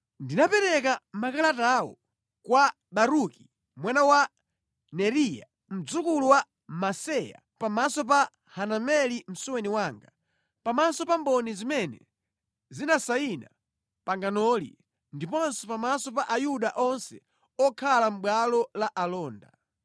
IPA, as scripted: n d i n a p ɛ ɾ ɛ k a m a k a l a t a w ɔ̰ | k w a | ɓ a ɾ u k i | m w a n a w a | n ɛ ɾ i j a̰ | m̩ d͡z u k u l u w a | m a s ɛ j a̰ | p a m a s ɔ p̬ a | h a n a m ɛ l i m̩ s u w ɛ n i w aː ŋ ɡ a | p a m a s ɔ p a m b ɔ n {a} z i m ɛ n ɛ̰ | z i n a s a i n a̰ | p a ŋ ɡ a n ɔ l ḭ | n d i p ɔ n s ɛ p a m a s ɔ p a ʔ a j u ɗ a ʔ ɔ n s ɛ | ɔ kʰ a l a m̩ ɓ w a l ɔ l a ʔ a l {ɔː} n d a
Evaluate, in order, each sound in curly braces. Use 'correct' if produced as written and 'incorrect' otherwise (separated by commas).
incorrect, correct